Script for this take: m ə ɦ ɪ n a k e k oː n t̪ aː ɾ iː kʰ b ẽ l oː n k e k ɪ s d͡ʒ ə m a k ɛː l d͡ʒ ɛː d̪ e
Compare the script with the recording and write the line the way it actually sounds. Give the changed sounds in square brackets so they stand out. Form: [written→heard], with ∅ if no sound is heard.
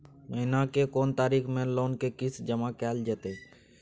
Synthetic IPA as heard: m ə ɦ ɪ n a k e k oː n t̪ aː ɾ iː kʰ [b→m] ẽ l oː n k e k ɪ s d͡ʒ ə m a k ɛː l d͡ʒ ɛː [d̪→t̪] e